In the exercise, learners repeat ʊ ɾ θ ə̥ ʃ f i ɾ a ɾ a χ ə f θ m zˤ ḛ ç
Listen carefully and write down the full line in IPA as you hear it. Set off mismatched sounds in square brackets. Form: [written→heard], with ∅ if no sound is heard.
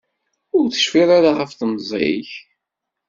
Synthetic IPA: ʊ ɾ θ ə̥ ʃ f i ɾ a ɾ a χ ə f θ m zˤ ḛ ç